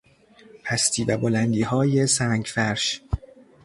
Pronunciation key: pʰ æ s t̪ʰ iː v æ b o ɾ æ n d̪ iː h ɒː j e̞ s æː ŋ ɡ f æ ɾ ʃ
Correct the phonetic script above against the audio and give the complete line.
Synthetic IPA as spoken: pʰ æ s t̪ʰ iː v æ b o l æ n d̪ iː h ɒː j e̞ s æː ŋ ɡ f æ ɾ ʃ